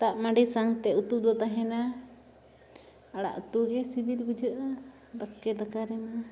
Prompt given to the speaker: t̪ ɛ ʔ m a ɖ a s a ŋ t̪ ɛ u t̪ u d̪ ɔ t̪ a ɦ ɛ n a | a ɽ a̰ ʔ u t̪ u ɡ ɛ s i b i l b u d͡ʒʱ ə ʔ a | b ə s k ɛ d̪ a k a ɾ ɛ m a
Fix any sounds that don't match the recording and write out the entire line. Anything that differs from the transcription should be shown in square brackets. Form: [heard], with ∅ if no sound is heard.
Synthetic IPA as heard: t̪ [a] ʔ m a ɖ [i] s a ŋ t̪ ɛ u t̪ u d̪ ɔ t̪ a ɦ ɛ n a | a ɽ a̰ ʔ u t̪ u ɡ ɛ s i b i l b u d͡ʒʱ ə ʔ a | b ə s k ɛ d̪ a k a ɾ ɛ m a